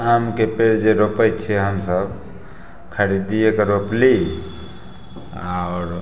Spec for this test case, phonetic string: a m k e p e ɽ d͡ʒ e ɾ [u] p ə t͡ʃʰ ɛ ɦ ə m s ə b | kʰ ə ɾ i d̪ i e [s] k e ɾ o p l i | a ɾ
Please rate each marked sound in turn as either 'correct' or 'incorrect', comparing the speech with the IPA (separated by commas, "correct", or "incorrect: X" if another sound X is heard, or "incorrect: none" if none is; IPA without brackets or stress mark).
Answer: incorrect: o, incorrect: none